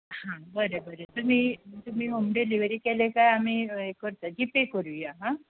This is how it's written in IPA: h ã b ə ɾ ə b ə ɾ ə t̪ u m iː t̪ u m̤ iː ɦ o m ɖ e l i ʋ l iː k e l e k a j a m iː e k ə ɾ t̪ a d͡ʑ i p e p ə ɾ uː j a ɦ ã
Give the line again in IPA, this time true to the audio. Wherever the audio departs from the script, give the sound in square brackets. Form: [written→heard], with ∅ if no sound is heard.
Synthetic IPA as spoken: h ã b ə ɾ ə b ə ɾ ə t̪ u m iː t̪ u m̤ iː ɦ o m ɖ e l i ʋ [l→ɾ] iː k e l e k a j a m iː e k ə ɾ t̪ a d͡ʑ i p e [p→k] ə ɾ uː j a ɦ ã